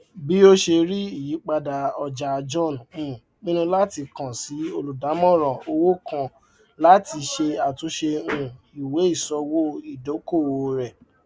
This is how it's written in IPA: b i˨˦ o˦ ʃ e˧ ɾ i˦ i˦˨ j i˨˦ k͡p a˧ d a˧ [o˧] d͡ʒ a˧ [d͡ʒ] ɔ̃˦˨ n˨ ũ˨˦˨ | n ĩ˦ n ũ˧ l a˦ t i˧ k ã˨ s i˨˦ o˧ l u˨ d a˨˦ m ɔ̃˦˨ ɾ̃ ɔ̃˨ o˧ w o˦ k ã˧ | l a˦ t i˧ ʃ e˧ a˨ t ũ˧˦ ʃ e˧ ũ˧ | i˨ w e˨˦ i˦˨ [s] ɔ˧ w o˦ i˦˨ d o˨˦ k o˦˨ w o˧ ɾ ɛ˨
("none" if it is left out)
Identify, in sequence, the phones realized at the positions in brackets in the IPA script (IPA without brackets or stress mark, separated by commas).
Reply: ɔ˧, d͡ʒ, s